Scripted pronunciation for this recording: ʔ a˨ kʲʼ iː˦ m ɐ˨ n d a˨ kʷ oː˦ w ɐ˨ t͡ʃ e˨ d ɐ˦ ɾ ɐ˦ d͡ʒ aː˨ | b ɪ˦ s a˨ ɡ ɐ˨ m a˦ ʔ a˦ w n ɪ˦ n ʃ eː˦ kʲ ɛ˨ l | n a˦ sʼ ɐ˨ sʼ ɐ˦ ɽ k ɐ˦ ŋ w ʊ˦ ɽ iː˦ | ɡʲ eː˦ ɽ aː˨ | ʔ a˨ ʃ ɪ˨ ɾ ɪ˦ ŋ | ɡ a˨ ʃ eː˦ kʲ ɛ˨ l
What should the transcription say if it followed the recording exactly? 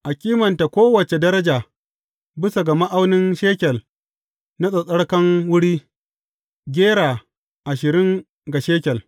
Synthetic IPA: ʔ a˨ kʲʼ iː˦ m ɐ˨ n t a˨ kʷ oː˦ w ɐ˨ t͡ʃ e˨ d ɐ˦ ɾ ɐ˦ d͡ʒ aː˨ | b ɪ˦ s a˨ ɡ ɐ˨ m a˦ ʔ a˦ w n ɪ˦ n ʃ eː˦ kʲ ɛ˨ l | n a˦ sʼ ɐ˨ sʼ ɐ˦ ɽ k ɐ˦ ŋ w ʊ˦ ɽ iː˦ | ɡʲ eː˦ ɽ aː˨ | ʔ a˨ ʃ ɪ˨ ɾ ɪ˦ ŋ | ɡ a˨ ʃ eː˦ kʲ ɛ˨ l